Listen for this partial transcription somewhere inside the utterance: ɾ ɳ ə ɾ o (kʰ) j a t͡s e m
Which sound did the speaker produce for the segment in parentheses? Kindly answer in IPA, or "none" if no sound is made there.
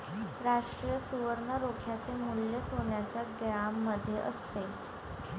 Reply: kʰ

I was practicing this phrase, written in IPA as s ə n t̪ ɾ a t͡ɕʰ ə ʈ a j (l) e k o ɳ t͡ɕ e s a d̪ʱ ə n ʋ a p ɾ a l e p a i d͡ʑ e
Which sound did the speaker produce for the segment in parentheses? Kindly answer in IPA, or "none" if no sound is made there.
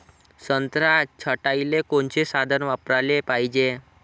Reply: l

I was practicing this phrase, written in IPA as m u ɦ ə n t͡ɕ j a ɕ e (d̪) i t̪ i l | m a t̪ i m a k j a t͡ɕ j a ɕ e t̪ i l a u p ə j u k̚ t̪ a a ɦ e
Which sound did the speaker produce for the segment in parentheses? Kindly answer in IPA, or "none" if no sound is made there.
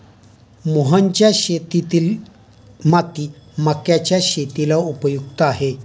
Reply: t̪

